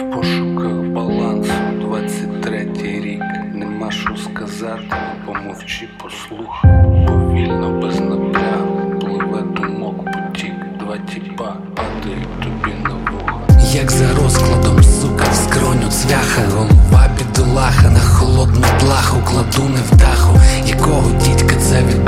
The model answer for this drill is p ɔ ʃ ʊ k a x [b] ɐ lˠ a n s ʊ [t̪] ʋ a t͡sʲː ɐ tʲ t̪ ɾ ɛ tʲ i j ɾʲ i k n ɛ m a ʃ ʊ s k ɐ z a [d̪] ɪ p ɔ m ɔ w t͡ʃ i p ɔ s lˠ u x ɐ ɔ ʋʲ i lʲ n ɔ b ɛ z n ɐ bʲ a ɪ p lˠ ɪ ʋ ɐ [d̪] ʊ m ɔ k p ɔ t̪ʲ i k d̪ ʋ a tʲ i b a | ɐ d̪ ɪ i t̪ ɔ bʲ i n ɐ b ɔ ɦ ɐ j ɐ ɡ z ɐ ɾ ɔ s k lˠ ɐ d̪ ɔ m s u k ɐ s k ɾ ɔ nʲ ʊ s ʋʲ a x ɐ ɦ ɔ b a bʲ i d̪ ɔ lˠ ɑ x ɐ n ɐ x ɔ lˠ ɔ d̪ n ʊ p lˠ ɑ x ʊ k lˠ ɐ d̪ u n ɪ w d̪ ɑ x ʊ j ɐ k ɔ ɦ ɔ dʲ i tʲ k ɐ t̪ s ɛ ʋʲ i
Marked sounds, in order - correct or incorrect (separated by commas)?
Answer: correct, incorrect, incorrect, correct